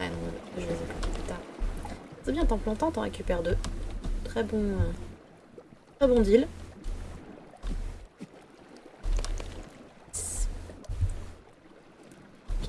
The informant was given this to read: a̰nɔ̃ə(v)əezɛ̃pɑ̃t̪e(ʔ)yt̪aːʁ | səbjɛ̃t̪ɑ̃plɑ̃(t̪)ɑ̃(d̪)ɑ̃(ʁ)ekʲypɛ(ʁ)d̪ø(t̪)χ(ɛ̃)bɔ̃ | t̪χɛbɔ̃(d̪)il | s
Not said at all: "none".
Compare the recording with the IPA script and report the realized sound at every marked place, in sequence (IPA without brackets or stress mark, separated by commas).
ʒ, p, t̪, t̪, ʁ, ʁ, t̪, ɛ, d̪